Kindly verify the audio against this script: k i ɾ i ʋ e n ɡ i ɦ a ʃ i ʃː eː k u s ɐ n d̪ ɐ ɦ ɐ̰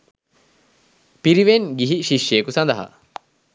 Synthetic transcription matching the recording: p i ɾ i ʋ e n ɡ i ɦ i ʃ i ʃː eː k u s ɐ n d̪ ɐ ɦ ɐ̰

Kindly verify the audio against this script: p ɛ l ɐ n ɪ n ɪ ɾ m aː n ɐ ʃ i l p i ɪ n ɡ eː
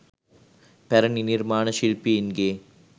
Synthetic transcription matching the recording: p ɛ ɾ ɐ n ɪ n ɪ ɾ m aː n ɐ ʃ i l p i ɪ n ɡ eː

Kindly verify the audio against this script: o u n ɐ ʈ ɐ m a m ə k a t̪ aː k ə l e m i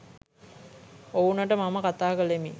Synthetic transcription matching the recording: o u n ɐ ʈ ə m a m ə k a t̪ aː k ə l e m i

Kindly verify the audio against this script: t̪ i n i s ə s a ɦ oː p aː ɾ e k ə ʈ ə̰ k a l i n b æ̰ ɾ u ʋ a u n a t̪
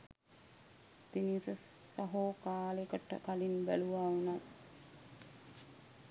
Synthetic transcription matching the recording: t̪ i n i s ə s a ɦ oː k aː l e k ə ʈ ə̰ k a l i n b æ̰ l u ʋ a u n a t̪

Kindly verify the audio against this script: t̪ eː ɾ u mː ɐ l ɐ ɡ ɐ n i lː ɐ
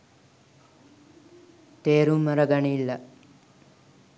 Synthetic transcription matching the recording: t̪ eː ɾ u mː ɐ ɾ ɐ ɡ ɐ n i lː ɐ

